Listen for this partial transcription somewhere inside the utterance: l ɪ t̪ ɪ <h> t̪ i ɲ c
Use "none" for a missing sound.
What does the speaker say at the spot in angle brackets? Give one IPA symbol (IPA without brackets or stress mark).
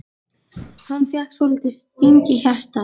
s